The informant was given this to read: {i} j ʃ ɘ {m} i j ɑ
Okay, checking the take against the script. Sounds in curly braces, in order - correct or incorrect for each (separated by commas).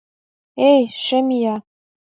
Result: incorrect, correct